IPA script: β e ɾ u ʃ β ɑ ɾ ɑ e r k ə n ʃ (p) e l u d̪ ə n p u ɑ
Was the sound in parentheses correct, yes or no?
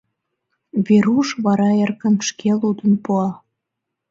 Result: no